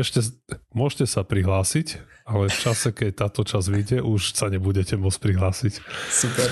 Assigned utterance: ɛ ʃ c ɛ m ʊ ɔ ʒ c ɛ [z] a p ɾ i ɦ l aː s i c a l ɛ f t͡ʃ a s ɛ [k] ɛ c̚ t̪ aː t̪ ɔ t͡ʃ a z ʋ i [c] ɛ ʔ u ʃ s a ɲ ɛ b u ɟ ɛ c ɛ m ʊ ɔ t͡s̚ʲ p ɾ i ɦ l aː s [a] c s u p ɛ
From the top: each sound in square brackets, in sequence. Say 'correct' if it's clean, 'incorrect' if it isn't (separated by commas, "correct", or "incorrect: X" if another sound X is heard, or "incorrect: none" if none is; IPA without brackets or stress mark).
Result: incorrect: s, correct, incorrect: ɟ, incorrect: i